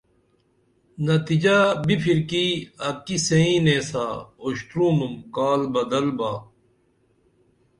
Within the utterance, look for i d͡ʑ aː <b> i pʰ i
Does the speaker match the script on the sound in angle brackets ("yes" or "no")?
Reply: yes